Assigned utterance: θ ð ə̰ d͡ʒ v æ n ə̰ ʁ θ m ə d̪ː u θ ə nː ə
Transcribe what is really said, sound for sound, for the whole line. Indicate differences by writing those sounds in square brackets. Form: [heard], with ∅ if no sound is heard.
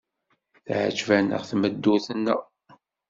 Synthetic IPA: θ [ʕ] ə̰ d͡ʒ v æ n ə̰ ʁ θ m ə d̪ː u θ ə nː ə